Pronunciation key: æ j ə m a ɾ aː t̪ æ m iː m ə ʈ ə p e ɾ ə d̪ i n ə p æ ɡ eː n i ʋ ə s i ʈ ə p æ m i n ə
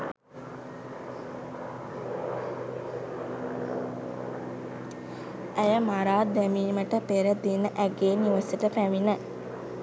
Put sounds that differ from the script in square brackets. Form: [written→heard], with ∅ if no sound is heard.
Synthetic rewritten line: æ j ə m a ɾ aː [t̪→d̪] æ m iː m ə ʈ ə p e ɾ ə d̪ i n ə [p→ʔ] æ ɡ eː n i ʋ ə s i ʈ ə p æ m i n ə

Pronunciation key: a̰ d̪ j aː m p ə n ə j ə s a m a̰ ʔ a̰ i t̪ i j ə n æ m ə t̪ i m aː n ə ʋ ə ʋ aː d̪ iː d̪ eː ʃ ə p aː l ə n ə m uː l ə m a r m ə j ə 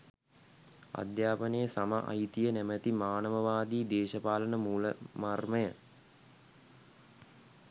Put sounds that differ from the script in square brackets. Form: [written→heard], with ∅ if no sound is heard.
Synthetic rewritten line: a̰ d̪ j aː [m→∅] p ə n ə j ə s a m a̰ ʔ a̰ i t̪ i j ə n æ m ə t̪ i m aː n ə ʋ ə ʋ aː d̪ iː d̪ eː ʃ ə p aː l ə n ə m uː l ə m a r m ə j ə

